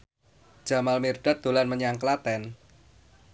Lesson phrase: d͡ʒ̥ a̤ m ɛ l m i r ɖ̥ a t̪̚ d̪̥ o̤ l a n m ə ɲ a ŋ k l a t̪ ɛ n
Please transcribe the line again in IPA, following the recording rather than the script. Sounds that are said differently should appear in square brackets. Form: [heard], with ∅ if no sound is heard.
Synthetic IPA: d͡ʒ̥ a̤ m [a] l m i r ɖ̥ a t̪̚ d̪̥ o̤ l a n m ə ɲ a ŋ k l a t̪ ɛ n